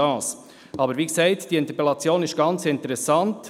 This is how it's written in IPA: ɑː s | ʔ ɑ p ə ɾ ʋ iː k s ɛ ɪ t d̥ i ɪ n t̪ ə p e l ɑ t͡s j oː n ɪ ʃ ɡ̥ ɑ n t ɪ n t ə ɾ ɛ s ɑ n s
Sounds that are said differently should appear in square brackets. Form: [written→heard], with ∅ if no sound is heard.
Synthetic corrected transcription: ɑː s | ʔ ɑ [p→b] ə ɾ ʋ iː k s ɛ ɪ t d̥ i ɪ n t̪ ə p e l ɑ t͡s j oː n ɪ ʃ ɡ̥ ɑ n [t→t͡s] ɪ n t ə ɾ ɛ s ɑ n [s→t]